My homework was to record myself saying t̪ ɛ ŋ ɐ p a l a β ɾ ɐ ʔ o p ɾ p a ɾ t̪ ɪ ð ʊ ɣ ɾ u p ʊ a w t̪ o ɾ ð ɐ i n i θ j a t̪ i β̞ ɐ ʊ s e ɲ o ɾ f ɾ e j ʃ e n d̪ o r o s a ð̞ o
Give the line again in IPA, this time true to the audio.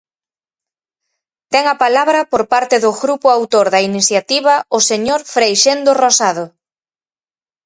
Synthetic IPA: t̪ ɛ ŋ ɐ p a l a β ɾ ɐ p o ɾ p a ɾ t̪ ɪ ð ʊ ɣ ɾ u p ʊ a w t̪ o ɾ ð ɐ i n i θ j a t̪ i β̞ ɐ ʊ s e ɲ o ɾ f ɾ e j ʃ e n d̪ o r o s a ð̞ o